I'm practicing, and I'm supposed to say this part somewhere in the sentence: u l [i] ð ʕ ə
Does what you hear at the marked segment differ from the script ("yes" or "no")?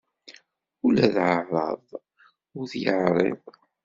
yes